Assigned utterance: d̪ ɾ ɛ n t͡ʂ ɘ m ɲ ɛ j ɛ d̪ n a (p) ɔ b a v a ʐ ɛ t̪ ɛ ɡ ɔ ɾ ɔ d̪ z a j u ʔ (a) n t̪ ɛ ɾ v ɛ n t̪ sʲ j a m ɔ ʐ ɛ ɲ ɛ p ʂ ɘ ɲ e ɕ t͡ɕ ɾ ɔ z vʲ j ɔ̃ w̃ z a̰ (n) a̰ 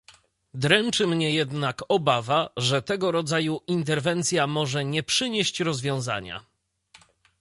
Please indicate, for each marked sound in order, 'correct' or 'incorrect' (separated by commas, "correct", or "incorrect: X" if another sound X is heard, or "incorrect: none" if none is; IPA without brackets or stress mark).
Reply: incorrect: k, incorrect: i, incorrect: ɲ